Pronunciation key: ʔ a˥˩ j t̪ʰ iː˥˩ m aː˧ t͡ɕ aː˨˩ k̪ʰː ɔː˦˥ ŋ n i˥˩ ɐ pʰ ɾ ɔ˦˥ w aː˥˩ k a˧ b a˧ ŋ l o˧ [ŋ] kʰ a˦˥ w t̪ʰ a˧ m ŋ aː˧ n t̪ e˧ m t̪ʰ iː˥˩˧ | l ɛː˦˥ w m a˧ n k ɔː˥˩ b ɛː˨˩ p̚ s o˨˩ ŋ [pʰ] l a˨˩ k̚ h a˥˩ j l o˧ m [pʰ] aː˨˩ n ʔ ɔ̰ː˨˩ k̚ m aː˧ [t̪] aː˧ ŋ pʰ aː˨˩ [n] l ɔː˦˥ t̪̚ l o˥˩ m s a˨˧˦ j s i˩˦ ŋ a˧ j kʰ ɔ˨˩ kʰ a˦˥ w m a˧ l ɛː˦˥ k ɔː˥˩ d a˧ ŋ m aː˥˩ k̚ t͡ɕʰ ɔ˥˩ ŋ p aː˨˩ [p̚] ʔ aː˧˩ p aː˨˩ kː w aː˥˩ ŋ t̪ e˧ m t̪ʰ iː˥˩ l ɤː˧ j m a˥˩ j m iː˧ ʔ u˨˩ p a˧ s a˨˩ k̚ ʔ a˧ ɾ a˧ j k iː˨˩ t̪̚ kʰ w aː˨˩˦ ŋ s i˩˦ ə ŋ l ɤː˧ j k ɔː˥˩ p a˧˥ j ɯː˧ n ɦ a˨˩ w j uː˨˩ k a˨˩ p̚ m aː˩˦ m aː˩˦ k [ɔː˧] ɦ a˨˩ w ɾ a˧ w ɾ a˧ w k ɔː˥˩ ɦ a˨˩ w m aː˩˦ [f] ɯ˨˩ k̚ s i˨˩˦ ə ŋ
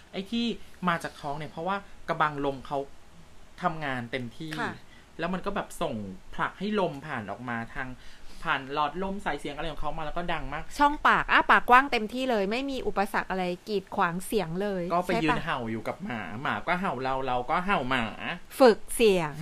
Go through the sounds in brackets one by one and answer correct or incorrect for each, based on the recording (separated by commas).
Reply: incorrect, correct, correct, incorrect, correct, incorrect, incorrect, correct